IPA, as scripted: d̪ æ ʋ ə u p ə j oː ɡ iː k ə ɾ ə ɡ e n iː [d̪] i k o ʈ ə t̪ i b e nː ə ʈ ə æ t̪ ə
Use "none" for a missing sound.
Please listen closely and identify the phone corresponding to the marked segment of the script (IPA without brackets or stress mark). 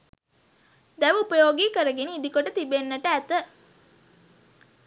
d̪